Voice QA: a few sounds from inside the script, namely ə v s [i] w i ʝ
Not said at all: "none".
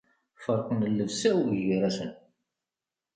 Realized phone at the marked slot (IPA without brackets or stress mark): æ